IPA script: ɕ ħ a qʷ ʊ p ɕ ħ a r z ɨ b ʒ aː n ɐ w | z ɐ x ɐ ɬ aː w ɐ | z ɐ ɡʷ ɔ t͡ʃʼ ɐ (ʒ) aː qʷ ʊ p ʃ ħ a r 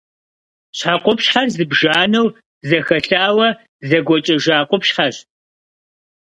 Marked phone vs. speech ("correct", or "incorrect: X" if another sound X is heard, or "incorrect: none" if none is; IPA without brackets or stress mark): correct